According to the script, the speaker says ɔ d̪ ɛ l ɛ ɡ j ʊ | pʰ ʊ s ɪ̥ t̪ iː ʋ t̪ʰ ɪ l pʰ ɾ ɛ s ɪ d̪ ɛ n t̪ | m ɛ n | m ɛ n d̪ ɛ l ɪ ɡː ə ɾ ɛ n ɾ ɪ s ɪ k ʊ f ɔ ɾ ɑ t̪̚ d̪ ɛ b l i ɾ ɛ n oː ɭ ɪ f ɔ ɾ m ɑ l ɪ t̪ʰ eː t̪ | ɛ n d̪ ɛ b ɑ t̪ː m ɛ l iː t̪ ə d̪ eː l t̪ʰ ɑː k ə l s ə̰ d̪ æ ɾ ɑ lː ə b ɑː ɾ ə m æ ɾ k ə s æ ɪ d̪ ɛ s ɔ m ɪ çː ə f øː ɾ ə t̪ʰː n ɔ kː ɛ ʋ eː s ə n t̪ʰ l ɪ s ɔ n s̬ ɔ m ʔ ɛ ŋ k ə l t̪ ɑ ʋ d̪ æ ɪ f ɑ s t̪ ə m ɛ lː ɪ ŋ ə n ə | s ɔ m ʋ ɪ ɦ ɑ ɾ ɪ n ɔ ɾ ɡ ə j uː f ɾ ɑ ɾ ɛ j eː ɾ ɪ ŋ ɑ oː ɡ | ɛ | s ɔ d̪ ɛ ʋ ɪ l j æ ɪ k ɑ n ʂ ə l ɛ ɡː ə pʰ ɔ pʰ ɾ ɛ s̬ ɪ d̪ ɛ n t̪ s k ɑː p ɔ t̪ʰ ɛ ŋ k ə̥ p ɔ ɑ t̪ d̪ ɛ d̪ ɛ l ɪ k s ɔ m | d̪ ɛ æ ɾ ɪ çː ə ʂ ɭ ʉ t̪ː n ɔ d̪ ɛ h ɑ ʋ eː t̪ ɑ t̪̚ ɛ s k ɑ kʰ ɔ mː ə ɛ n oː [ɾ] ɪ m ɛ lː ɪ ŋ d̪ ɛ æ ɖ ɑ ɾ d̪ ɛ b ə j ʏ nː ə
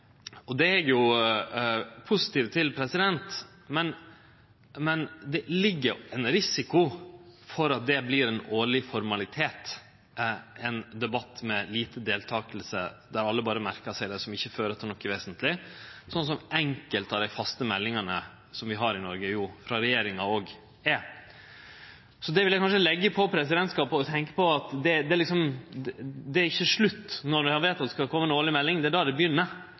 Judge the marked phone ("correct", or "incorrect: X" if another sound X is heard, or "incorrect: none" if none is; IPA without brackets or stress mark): incorrect: ɭ